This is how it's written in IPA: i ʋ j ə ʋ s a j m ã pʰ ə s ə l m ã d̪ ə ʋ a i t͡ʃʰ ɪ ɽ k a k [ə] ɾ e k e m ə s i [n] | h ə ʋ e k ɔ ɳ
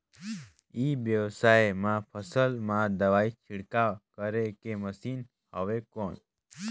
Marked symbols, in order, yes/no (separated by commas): yes, yes